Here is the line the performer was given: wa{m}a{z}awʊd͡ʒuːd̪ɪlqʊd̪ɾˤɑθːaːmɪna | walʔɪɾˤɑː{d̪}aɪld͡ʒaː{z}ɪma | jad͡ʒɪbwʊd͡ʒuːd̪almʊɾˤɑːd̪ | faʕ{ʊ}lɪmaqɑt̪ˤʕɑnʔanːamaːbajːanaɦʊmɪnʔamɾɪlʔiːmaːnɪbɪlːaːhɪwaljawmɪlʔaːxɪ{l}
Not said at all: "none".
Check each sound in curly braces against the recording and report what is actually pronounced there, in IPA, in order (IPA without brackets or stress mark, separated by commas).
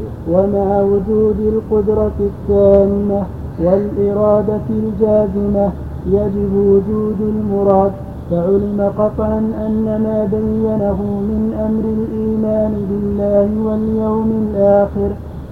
m, ʕ, d̪, z, ʊ, ɾ